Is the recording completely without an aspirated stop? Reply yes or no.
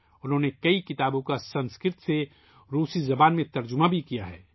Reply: yes